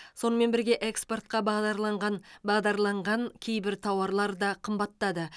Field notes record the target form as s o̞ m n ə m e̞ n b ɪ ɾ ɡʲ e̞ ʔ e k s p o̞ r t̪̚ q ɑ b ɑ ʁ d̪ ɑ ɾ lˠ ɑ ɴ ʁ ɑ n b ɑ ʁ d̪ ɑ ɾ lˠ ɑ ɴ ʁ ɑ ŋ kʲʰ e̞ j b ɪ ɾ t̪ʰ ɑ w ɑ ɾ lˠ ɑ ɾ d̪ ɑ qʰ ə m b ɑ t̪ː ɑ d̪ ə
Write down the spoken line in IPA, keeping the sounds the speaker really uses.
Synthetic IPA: s o̞ n ə m e̞ n b ɪ ɾ ɡʲ e̞ ʔ e k s p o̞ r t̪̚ q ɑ b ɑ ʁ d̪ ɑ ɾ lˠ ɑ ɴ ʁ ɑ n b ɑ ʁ d̪ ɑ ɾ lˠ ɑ ɴ ʁ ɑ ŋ kʲʰ e̞ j b ɪ ɾ t̪ʰ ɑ w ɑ ɾ lˠ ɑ ɾ d̪ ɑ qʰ ə m b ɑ t̪ː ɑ d̪ ə